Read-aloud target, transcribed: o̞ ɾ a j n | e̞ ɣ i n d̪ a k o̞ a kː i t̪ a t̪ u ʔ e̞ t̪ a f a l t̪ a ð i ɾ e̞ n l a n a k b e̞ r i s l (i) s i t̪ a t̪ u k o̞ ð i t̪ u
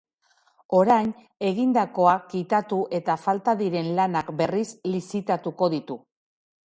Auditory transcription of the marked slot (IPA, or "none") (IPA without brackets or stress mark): i